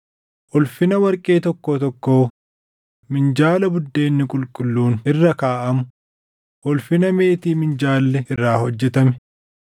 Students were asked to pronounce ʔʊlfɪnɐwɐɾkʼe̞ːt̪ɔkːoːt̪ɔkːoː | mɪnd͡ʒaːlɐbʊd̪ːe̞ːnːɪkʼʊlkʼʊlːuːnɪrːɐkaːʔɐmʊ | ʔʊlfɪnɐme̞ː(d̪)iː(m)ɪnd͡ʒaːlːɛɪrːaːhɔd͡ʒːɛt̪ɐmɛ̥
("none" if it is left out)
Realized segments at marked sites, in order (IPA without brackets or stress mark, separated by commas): t̪, m